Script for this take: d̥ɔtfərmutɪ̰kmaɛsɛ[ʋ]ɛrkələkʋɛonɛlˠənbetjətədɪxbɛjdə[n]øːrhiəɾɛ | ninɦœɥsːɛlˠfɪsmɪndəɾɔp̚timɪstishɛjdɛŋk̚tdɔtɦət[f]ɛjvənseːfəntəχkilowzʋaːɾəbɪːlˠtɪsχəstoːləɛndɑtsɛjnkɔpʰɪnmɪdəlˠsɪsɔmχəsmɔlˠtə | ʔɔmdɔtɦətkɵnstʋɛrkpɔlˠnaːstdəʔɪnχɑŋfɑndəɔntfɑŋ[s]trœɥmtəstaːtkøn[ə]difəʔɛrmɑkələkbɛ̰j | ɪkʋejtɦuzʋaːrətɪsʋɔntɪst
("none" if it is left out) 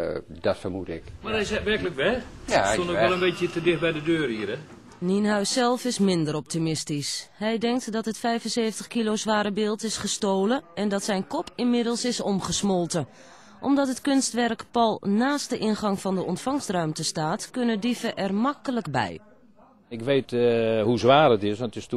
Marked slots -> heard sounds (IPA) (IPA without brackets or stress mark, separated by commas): ʋ, d, f, s, ə